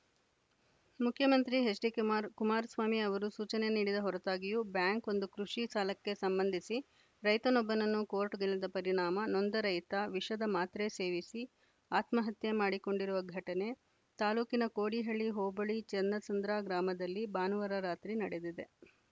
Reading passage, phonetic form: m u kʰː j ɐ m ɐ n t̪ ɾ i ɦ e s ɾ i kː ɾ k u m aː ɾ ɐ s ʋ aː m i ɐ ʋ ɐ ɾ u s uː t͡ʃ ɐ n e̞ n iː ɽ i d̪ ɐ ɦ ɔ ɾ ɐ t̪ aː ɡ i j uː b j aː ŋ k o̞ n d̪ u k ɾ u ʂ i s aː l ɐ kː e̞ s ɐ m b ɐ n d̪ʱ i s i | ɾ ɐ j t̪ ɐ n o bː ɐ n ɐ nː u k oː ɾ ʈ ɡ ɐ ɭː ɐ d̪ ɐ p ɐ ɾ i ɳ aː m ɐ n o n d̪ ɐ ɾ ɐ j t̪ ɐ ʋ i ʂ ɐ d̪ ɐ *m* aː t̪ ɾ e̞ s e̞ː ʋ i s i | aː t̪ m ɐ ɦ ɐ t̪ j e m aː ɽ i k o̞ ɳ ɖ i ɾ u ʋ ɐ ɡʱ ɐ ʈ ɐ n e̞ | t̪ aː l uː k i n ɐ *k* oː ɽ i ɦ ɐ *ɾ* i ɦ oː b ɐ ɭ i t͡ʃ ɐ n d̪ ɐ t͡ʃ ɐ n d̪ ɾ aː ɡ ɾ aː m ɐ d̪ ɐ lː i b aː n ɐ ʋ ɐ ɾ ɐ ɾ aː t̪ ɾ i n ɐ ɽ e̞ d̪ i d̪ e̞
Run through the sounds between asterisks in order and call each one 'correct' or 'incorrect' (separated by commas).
correct, correct, incorrect